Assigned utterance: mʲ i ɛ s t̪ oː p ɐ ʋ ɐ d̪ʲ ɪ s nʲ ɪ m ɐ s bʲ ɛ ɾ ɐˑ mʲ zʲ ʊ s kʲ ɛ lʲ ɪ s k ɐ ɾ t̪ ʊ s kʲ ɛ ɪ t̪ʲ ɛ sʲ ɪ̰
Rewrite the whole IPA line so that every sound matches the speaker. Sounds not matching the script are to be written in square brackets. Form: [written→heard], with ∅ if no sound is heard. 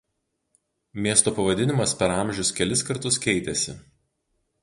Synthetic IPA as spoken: mʲ i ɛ s t̪ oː p ɐ ʋ ɐ d̪ʲ ɪ [s→∅] nʲ ɪ m ɐ s [bʲ→pʲ] ɛ ɾ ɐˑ mʲ [zʲ→ʒʲ] ʊ s kʲ ɛ lʲ ɪ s k ɐ ɾ t̪ ʊ s kʲ ɛ ɪ t̪ʲ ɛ sʲ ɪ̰